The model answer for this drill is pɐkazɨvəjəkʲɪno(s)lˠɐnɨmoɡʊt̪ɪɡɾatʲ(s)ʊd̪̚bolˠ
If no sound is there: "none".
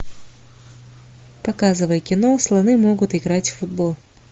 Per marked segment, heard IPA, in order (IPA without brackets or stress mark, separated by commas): s, f